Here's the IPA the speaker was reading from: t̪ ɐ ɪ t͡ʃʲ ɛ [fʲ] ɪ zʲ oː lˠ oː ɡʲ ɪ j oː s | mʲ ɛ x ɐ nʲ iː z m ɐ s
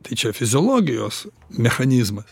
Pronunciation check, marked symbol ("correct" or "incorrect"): correct